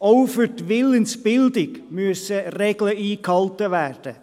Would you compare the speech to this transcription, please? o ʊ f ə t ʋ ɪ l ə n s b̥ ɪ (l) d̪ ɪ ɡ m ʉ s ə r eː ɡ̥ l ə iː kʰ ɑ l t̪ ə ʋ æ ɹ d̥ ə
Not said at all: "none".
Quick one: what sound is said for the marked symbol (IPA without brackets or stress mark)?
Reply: l